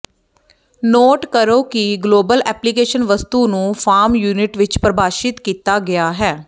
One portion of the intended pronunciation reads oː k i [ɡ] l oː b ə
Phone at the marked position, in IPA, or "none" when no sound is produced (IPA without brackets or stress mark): ɡ